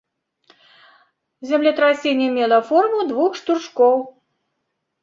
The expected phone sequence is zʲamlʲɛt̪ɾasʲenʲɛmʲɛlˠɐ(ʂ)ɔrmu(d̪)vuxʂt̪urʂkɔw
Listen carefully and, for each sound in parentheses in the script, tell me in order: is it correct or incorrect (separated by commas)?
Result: incorrect, correct